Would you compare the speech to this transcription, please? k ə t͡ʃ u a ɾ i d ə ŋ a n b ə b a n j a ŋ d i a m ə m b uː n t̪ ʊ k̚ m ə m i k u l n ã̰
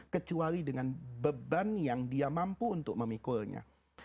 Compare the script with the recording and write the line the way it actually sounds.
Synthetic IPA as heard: k ə t͡ʃ u a ɾ i d ə ŋ a n b ə b a n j a ŋ d i a m a m p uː n t̪ ʊ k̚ m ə m i k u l ɲ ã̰